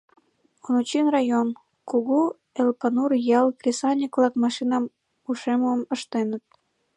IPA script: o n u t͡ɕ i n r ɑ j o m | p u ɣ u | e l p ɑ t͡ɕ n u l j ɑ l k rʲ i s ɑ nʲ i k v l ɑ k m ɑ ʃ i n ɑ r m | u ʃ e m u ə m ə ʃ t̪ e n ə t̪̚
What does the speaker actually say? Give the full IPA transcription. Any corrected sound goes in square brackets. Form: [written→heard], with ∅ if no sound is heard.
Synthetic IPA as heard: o n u t͡ɕ i n r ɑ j o [m→n] | [p→k] u ɣ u | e l p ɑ [t͡ɕ→∅] n u [l→r] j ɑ l k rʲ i s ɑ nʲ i k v l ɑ k m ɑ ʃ i n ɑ [r→∅] m | u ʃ e m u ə m ə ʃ t̪ e n ə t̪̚